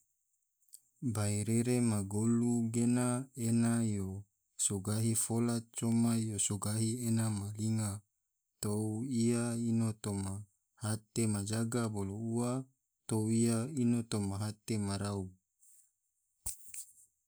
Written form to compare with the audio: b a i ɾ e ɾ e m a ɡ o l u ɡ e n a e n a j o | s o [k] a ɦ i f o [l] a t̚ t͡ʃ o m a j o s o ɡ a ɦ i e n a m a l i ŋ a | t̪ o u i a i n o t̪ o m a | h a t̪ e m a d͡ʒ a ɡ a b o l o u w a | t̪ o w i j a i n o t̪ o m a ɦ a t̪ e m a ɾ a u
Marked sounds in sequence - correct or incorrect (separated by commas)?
incorrect, correct